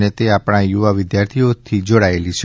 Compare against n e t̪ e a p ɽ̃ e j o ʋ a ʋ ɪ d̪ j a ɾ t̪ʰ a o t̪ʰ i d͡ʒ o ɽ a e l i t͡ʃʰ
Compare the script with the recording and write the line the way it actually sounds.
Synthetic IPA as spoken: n e t̪ e a p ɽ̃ a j u ʋ a ʋ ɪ d̪ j a ɾ t̪ʰ i o t̪ʰ i d͡ʒ o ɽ a e l i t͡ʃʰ